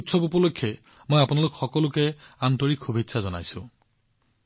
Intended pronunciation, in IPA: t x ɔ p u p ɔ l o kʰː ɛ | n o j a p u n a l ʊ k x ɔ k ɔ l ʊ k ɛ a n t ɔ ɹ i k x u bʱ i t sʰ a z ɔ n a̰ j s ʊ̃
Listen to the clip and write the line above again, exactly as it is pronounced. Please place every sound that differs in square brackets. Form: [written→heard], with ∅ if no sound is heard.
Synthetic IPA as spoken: t [x→s] ɔ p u p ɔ l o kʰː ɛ | [n→m] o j a p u n a l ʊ k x ɔ k ɔ l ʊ k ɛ a n t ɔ ɹ i k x u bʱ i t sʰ a z ɔ n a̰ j s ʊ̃